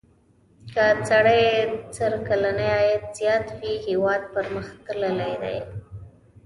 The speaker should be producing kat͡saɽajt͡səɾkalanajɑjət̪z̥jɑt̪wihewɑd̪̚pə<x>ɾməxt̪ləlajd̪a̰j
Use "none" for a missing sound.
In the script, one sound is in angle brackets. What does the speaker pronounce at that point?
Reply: none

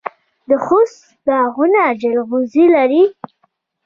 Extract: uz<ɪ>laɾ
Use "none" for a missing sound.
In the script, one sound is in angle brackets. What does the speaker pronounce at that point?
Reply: i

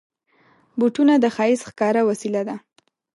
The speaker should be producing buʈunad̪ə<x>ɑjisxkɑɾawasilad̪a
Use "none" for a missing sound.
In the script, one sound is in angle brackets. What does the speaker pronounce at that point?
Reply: x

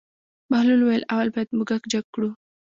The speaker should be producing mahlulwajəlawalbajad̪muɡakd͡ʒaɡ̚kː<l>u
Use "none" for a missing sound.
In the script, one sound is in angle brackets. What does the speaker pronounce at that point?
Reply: ɽ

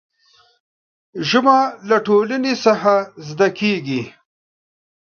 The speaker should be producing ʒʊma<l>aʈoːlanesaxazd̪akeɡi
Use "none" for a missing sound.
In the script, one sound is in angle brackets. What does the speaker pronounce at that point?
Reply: l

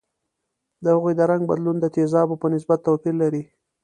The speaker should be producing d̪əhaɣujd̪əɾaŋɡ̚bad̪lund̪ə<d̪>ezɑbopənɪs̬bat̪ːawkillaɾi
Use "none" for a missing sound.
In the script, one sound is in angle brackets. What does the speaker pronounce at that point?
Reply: t̪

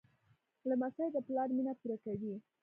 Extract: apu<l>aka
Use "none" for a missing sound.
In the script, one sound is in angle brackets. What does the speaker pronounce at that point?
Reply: ɾ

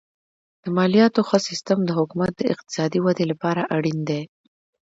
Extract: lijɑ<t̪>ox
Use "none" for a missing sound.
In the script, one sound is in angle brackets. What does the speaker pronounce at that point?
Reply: t̪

